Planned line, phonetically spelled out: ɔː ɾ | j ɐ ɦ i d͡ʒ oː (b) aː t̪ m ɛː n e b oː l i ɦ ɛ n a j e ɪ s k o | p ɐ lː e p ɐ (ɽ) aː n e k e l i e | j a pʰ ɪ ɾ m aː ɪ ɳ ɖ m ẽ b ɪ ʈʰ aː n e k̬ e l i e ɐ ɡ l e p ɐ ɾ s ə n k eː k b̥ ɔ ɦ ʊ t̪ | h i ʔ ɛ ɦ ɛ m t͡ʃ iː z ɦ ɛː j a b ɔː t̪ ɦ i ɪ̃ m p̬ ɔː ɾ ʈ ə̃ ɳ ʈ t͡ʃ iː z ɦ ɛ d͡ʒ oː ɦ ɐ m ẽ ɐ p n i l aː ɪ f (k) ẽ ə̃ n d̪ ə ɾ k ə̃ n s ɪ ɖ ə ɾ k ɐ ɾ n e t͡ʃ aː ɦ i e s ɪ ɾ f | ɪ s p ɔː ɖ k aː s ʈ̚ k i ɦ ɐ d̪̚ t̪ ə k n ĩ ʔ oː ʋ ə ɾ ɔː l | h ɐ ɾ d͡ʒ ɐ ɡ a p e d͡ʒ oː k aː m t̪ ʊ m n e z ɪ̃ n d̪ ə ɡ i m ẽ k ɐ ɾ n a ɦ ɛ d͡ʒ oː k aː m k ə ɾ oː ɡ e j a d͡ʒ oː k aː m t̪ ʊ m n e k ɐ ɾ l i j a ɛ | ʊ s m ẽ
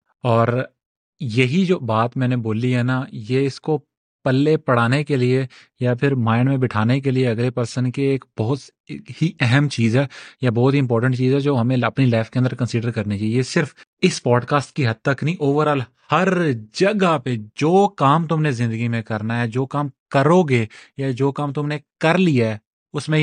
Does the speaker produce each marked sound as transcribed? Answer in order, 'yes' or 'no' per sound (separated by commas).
yes, yes, yes